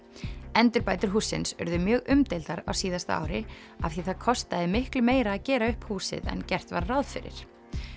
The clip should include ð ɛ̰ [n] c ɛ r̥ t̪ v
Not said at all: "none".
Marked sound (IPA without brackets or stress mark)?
n